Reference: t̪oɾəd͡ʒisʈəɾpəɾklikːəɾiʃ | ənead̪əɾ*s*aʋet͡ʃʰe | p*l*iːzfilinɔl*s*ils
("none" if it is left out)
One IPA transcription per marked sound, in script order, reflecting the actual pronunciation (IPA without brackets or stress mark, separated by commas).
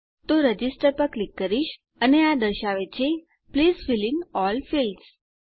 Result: ʃ, l, f